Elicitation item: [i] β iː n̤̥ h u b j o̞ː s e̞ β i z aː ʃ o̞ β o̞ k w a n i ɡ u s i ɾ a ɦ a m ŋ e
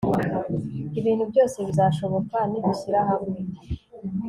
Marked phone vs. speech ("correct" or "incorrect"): correct